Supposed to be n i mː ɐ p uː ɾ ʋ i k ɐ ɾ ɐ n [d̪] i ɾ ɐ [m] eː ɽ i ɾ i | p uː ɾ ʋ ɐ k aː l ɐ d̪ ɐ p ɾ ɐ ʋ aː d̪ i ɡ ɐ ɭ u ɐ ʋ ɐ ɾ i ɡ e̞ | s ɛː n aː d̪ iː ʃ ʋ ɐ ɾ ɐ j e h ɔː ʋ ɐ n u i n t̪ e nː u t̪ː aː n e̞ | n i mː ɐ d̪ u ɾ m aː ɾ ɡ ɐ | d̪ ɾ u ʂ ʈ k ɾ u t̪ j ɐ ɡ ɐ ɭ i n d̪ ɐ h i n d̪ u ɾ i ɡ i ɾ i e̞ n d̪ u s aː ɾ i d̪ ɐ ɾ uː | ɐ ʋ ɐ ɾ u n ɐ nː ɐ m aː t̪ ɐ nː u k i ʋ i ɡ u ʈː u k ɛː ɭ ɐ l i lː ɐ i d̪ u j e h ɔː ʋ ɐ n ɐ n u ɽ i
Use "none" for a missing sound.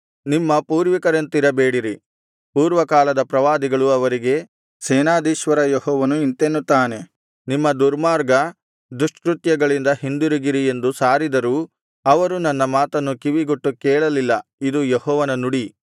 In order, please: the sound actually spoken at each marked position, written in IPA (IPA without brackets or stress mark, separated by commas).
t̪, b